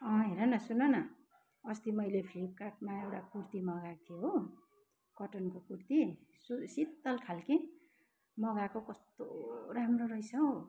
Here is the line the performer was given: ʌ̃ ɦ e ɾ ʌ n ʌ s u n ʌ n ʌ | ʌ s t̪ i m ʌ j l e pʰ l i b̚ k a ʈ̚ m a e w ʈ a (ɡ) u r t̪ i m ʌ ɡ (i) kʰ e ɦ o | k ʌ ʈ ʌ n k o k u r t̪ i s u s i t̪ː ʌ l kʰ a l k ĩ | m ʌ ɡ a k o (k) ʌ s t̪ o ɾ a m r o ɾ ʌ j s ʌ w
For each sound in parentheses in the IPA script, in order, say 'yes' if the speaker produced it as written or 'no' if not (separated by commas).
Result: no, no, yes